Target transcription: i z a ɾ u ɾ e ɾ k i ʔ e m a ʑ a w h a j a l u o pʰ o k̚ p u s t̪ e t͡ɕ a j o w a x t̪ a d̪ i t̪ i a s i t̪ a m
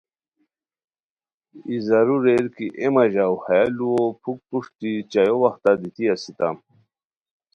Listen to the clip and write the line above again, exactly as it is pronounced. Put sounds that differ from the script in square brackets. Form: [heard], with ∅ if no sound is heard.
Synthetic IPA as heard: i z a ɾ u ɾ e ɾ k i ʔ e m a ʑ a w h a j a l u o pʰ [u] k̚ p u [ʂ] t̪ [i] t͡ɕ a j o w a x t̪ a d̪ i t̪ i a s i t̪ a m